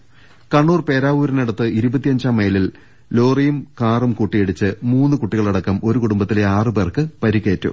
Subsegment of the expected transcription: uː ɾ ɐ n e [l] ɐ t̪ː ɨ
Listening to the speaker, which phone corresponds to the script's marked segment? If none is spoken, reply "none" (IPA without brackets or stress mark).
ɽ